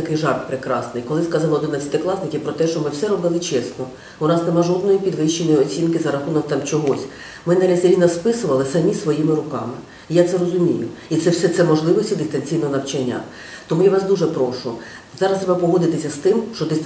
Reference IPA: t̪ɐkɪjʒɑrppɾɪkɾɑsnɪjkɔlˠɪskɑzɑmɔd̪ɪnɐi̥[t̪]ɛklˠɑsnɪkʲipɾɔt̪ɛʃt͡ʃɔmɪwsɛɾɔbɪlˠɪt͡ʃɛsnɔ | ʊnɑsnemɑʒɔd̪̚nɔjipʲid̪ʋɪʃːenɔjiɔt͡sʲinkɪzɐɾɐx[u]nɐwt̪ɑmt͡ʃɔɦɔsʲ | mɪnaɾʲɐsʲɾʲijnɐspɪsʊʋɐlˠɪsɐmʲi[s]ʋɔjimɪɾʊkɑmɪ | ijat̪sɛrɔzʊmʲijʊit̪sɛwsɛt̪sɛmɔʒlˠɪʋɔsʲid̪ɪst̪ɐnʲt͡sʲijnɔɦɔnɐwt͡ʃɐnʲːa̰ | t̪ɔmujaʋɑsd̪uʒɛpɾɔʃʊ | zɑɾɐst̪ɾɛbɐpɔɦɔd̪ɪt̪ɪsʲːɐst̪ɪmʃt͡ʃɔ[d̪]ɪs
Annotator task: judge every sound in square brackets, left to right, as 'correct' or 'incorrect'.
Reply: correct, correct, correct, correct

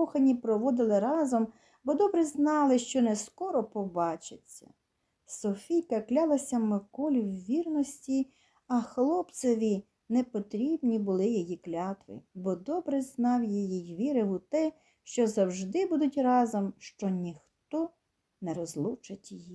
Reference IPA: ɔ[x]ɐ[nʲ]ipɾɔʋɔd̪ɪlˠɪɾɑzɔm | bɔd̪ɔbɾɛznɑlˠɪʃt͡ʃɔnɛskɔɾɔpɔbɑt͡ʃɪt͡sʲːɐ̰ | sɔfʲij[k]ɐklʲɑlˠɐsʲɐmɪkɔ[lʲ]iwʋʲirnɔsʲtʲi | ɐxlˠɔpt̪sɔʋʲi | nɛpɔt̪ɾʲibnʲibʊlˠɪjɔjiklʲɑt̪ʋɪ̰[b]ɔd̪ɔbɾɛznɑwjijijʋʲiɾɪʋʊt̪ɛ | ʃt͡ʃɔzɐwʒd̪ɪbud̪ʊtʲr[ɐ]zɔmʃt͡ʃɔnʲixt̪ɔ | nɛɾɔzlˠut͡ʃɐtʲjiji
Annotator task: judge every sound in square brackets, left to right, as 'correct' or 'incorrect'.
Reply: correct, correct, correct, correct, correct, incorrect: ɑ

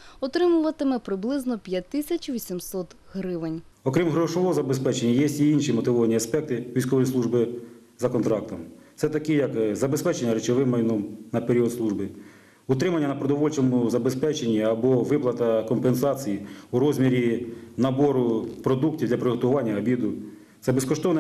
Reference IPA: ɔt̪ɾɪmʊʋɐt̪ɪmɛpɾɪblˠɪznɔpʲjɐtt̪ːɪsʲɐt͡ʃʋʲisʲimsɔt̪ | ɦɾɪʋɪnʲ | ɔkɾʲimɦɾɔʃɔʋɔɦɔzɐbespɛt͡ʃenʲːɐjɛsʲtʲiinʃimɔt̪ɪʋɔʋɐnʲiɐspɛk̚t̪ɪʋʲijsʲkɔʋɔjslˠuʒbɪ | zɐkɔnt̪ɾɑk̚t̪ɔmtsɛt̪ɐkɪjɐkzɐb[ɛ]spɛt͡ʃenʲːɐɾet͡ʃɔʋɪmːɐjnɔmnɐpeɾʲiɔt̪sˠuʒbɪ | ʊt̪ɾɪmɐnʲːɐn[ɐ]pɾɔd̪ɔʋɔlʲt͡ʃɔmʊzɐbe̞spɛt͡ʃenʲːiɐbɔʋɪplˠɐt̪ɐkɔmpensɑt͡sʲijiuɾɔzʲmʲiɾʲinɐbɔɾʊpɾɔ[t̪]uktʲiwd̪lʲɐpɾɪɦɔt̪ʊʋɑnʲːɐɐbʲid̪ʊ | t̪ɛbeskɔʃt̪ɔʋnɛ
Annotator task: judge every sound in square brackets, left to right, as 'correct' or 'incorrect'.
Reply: incorrect: e, correct, incorrect: d̪

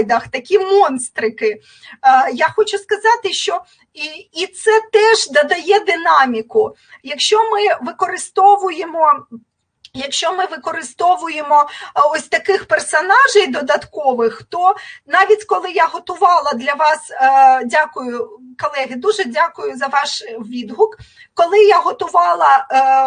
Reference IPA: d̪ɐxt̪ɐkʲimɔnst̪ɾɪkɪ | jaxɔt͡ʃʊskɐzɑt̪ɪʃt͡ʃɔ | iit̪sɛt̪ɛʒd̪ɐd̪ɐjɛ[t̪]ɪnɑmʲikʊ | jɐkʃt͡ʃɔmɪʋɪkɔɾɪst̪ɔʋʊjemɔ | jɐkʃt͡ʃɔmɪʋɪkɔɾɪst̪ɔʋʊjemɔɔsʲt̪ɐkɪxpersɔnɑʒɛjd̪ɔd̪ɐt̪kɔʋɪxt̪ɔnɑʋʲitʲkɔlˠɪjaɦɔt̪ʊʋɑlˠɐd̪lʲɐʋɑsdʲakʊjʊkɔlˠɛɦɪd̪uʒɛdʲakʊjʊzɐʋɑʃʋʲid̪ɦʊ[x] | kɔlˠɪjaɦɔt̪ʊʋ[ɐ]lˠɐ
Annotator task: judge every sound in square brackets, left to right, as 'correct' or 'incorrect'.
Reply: incorrect: d̪, incorrect: k, incorrect: ɑ

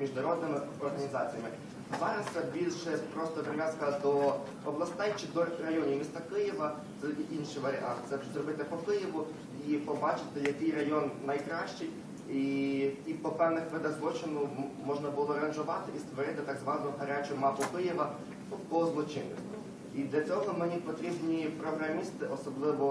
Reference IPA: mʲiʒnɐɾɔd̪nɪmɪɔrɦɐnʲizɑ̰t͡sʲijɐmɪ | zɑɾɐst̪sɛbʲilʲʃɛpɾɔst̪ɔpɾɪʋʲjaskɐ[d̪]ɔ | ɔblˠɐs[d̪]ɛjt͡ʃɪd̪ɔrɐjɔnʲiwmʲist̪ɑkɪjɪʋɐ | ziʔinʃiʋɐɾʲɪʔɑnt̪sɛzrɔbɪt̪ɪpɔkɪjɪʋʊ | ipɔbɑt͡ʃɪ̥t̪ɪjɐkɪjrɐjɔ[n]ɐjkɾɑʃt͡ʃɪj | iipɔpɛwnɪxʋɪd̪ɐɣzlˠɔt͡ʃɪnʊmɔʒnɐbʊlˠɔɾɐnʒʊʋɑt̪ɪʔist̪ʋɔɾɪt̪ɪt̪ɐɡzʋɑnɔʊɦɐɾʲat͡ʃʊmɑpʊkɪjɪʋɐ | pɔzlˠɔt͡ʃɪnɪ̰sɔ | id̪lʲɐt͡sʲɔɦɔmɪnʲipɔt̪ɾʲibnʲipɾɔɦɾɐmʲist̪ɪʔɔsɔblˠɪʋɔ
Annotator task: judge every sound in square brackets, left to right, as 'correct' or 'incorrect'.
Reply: correct, incorrect: t̪, incorrect: nː

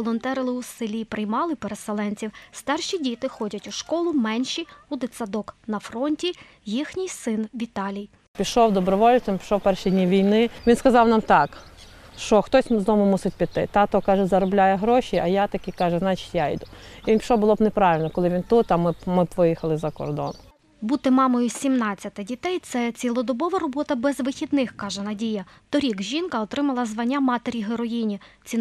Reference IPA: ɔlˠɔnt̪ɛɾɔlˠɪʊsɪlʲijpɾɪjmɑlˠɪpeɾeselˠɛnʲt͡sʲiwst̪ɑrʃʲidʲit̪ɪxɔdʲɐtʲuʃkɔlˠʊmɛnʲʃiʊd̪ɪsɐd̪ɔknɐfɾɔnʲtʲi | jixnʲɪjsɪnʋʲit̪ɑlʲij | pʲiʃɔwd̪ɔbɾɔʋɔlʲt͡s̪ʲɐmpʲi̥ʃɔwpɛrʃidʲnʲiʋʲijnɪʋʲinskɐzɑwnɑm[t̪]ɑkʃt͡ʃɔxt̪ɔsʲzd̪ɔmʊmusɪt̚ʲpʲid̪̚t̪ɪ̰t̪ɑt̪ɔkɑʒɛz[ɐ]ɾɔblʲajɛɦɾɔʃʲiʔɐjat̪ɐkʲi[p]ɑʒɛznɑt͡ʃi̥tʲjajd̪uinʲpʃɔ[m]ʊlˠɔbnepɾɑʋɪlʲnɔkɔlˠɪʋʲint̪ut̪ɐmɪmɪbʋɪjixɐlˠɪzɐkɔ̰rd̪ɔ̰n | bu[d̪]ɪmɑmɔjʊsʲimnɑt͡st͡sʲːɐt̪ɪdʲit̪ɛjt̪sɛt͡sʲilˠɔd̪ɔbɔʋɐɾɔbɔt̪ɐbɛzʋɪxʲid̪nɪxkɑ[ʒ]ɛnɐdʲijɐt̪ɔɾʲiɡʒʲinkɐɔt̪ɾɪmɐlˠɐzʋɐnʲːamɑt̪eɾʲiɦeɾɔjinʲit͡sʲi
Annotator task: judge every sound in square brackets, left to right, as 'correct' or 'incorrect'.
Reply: correct, correct, incorrect: k, incorrect: b, incorrect: t̪, correct

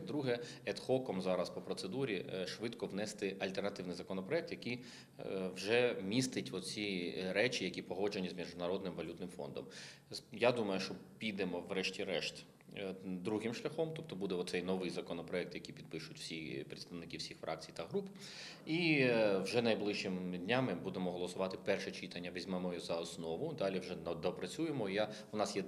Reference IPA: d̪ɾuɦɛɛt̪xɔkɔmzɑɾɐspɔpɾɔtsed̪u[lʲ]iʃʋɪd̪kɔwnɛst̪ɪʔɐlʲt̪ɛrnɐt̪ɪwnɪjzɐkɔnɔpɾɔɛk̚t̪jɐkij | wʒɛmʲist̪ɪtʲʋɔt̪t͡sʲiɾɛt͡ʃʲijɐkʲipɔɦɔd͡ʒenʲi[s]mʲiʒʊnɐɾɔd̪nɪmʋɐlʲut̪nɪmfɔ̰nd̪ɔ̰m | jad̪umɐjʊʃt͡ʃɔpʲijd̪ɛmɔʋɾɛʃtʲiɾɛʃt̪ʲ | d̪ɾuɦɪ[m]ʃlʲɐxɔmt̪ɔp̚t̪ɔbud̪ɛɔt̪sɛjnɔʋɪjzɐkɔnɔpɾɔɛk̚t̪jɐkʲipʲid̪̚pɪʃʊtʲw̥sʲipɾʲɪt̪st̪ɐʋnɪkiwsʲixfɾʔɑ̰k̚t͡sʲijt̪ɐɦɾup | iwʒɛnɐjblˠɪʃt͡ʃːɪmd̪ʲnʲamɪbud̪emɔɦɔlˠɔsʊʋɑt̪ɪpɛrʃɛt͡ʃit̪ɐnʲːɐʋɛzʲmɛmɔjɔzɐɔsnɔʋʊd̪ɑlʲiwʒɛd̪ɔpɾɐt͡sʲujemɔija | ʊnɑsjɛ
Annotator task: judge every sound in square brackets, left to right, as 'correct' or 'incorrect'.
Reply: incorrect: ɾʲ, incorrect: z, correct

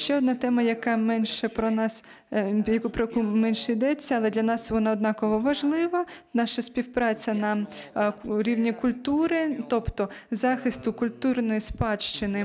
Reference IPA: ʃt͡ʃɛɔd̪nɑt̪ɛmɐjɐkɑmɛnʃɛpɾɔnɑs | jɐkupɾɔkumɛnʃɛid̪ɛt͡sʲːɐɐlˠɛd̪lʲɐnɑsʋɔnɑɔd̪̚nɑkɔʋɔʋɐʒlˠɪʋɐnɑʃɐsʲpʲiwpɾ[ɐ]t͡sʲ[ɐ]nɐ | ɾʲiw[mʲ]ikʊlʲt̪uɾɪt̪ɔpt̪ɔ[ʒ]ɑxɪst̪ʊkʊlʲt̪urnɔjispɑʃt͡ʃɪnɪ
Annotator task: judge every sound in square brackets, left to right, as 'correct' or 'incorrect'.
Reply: incorrect: ɑ, correct, incorrect: nʲ, incorrect: z

